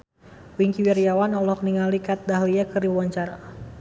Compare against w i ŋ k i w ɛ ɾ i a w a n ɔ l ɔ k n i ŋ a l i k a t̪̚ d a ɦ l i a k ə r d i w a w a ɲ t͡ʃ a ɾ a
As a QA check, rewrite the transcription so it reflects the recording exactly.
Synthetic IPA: w i ŋ k i w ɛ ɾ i a w a n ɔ l ɔ k n i ŋ a l i k a t̪̚ d a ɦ l i a k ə r d i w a w a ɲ t͡ʃ a ɾ a